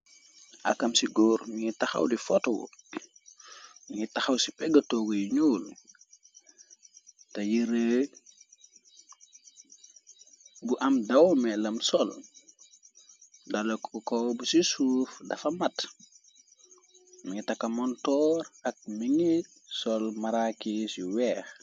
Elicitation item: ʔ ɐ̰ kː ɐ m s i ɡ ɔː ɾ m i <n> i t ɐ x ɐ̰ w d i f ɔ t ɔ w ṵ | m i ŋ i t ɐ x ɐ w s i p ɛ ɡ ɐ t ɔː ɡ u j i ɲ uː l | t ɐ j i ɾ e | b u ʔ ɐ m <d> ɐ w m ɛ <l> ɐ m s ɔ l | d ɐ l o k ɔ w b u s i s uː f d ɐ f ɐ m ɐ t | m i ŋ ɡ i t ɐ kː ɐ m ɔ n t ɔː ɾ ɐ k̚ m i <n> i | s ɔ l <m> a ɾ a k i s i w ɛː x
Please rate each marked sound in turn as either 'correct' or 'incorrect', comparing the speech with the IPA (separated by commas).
incorrect, correct, correct, incorrect, correct